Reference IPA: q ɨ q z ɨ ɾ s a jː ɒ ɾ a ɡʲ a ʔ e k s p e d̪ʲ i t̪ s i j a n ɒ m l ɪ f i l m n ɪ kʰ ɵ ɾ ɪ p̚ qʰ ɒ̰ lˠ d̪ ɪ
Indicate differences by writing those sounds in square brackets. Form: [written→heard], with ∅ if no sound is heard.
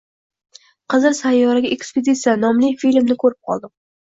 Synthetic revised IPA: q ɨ [q→∅] z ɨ ɾ s a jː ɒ ɾ a ɡʲ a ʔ e k s p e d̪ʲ i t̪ s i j a n ɒ m l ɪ f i l m n ɪ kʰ ɵ ɾ ɪ p̚ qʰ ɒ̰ lˠ d̪ ɪ

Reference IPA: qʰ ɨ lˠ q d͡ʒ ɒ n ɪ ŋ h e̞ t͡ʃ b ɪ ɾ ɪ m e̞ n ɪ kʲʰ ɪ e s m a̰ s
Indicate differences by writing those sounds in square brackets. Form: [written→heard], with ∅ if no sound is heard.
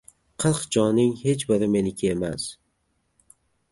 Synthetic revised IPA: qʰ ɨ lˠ q d͡ʒ ɒ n ɪ ŋ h e̞ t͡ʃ b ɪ ɾ ɪ m e̞ n ɪ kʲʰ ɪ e [s→∅] m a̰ s

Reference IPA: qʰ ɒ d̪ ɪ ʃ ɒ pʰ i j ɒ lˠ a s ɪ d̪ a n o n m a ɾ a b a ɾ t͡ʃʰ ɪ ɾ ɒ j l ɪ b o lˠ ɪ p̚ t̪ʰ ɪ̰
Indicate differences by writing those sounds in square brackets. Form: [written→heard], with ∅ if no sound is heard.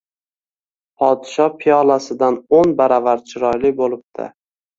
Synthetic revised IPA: [qʰ→pʰ] ɒ d̪ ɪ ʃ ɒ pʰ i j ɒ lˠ a s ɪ d̪ a n o n [m→b] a ɾ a [b→v] a ɾ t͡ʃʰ ɪ ɾ ɒ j l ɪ b o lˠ ɪ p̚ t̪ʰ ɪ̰

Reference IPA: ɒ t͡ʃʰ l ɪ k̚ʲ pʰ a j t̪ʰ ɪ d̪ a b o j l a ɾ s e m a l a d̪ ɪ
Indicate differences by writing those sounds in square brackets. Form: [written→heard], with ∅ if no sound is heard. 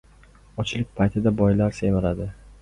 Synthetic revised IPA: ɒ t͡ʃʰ l ɪ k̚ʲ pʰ a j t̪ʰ ɪ d̪ a b [o→ɒ] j l a ɾ s e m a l a d̪ ɪ

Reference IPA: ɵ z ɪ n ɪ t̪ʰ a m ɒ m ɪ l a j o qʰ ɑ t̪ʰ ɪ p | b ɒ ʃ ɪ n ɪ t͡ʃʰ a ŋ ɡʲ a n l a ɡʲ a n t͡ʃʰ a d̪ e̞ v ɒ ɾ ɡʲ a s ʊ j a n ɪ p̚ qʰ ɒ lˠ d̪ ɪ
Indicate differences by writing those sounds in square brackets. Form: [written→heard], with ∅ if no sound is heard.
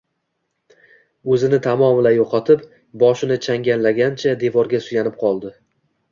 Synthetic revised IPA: ɵ z ɪ n ɪ t̪ʰ a m ɒ m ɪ l a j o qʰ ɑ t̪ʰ ɪ p | b ɒ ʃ ɪ n ɪ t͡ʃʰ a ŋ ɡʲ a n l a ɡʲ a n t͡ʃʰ a d̪ e̞ v ɒ ɾ ɡʲ a s ʊ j a n ɪ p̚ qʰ ɒ lˠ d̪ ɪ

